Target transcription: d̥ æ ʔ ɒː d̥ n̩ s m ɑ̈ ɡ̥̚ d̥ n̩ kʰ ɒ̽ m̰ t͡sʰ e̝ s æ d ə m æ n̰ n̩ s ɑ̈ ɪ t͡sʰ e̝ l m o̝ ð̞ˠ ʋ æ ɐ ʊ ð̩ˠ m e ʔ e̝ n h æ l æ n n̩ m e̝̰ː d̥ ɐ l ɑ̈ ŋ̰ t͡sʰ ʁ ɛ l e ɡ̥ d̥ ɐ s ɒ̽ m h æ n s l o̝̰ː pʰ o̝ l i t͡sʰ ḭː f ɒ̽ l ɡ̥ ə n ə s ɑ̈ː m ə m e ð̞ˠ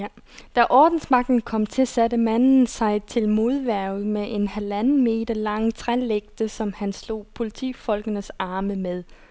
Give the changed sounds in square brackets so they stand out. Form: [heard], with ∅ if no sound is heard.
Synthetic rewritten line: d̥ æ ʔ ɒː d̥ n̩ s m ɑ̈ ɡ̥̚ d̥ n̩ kʰ ɒ̽ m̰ t͡sʰ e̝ s æ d ə m æ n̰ n̩ s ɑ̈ ɪ t͡sʰ e̝ l m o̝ ð̞ˠ ʋ æ ɐ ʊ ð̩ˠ m e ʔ e̝ n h æ l æ n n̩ m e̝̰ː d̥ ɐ l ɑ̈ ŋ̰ t͡sʰ ʁ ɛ l e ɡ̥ d̥ [ə] s ɒ̽ m h æ n s l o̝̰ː pʰ o̝ l i t͡sʰ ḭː f ɒ̽ l ɡ̥ ə n ə s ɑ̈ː m ə m e ð̞ˠ